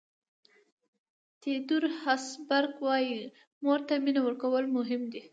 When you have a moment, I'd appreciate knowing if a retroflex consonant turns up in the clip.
no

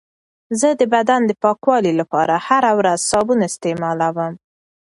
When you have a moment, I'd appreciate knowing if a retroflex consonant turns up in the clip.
no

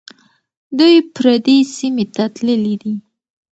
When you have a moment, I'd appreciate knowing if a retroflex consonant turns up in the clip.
no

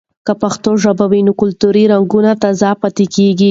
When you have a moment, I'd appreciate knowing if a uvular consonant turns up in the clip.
no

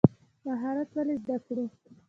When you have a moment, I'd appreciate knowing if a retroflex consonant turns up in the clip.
yes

